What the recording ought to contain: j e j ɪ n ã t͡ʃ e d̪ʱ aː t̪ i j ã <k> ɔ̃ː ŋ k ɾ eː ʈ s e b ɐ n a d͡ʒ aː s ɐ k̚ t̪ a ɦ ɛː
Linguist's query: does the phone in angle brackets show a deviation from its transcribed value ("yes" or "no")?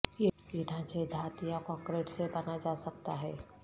no